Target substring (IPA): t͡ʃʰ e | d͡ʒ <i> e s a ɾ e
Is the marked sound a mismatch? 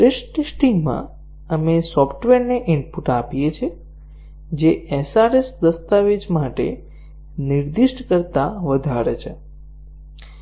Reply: yes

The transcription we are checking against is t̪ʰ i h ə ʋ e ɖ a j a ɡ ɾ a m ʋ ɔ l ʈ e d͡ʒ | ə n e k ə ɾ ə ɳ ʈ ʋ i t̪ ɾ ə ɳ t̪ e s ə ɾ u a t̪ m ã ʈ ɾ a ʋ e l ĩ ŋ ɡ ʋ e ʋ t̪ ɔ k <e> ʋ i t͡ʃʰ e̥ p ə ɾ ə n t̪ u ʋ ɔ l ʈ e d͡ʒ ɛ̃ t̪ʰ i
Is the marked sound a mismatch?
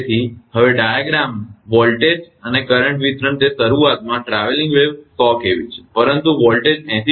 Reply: no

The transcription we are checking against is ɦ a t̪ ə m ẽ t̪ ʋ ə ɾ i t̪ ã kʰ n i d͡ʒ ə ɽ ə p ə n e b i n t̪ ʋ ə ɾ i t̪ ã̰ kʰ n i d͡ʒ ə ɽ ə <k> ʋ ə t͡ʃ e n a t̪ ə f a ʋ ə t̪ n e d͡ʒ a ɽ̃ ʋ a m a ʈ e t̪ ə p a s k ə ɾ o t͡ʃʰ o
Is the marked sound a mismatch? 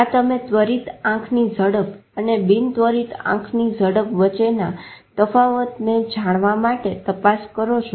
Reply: yes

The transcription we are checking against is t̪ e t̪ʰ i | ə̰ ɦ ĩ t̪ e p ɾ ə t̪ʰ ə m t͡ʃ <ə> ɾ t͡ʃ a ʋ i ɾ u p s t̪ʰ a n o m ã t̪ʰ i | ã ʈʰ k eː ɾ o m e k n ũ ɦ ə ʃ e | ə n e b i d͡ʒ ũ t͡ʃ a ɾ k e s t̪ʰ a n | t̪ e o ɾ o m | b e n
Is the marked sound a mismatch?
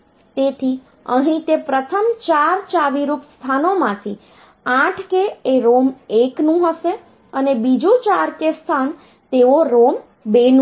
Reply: yes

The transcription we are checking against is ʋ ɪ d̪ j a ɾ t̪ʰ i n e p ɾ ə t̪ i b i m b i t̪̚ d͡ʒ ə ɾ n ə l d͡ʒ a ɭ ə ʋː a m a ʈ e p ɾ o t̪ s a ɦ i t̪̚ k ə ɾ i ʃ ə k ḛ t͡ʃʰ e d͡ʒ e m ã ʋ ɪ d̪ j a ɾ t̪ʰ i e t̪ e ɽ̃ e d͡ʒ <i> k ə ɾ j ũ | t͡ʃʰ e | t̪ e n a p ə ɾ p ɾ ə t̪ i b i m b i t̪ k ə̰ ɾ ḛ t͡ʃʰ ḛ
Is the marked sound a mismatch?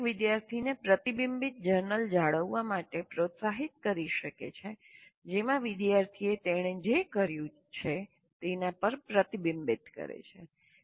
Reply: yes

